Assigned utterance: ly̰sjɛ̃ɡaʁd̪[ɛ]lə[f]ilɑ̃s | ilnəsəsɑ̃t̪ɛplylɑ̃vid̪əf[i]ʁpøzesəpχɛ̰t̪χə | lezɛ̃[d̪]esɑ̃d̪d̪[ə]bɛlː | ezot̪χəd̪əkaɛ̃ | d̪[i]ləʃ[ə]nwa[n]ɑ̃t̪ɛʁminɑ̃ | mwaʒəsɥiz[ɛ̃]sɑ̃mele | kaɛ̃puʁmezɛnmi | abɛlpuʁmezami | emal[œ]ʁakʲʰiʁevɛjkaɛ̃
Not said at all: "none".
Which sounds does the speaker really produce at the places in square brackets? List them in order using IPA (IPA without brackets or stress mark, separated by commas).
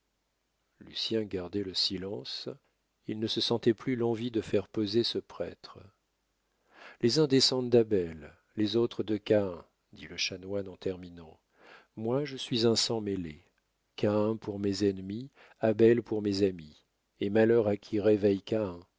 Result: ɛ, s, ɛ, d̪, a, i, a, n, ɛ̃, œ